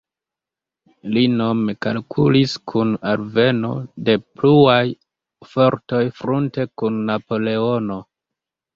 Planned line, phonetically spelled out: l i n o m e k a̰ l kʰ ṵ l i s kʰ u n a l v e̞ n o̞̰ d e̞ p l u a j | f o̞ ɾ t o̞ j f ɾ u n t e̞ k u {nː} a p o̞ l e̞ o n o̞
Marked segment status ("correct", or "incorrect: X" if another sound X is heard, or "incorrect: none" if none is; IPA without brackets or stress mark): correct